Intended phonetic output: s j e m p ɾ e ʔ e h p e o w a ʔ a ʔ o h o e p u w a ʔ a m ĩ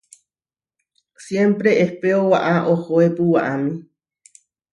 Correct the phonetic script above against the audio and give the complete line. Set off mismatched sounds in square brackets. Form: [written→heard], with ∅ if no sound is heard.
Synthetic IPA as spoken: s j e m p ɾ e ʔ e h p e o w a ʔ a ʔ o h o e p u w a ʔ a m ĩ